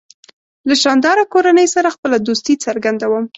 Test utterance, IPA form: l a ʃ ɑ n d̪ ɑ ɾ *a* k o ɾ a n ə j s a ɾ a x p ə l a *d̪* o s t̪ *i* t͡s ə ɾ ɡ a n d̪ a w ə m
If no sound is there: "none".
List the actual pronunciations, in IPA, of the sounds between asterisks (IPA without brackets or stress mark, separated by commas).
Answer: a, d̪, i